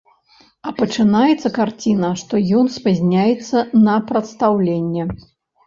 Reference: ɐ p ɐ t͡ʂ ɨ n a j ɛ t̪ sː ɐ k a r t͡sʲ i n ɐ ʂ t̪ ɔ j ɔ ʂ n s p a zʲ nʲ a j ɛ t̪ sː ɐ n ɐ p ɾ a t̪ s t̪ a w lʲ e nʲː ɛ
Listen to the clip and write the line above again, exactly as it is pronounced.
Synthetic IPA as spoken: ɐ p ɐ t͡ʂ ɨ n a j ɛ t̪ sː ɐ k a r t͡sʲ i n ɐ ʂ t̪ ɔ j ɔ n s p a zʲ nʲ a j ɛ t̪ sː ɐ n ɐ p ɾ ɐ t̪ s t̪ a w lʲ e nʲː ɛ